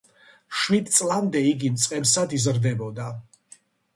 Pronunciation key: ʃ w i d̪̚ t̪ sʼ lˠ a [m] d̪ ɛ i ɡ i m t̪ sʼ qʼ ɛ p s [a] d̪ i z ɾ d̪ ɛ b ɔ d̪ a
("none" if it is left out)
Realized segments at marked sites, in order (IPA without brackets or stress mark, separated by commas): m, a